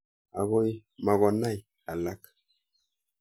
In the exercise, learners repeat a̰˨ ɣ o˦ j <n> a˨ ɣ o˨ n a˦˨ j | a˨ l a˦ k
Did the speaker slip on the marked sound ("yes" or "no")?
yes